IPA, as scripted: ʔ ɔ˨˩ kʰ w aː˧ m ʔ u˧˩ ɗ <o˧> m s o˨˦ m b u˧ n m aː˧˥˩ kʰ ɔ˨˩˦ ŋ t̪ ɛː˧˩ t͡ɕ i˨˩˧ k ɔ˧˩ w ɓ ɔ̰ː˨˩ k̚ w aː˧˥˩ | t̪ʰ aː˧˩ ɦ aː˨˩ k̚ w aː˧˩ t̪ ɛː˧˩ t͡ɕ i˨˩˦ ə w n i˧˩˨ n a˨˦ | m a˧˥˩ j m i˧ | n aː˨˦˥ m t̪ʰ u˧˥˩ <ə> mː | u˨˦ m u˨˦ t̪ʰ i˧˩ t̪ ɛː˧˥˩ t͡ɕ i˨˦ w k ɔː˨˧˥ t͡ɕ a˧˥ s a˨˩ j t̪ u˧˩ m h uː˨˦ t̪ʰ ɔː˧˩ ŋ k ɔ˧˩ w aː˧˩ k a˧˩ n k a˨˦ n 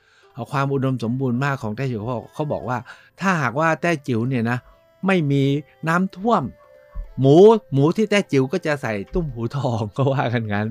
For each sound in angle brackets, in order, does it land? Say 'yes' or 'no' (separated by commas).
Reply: yes, yes